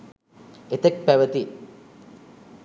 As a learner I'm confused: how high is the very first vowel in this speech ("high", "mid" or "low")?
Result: mid